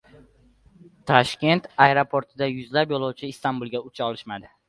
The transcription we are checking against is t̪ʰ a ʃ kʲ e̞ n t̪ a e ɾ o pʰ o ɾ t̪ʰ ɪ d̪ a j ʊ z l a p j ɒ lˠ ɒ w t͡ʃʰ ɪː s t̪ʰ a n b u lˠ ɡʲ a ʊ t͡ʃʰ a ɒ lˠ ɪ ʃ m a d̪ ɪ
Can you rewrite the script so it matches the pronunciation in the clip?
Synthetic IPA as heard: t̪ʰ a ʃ kʲ e̞ n t̪ a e ɾ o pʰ o ɾ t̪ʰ ɪ d̪ a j ʊ z l a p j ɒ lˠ ɒ w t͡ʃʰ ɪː s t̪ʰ a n b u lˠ ɡʲ a ʊ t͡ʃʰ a ɒ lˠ ɪ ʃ m a d̪ ɪ